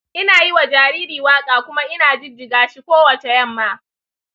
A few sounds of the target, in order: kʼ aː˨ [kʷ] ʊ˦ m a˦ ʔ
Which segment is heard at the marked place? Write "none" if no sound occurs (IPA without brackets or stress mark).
kʷ